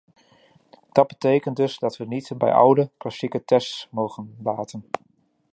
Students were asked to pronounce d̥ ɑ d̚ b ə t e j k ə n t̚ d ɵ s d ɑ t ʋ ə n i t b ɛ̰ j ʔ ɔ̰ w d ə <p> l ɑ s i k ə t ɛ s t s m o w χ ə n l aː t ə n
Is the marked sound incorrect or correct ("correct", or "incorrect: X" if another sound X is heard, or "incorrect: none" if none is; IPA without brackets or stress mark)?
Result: incorrect: k